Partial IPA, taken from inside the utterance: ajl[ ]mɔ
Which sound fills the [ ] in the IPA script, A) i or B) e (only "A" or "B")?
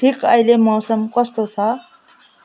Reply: B